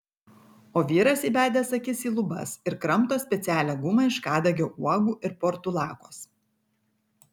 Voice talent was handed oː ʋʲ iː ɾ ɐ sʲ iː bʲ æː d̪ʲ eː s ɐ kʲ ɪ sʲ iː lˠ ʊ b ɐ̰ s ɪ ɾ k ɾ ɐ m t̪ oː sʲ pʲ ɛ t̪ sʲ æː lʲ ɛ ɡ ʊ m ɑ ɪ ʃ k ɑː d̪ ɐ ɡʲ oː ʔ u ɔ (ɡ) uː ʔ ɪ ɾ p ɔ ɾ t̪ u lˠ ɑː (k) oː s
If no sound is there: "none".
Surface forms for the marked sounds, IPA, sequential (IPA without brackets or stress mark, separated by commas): ɡ, k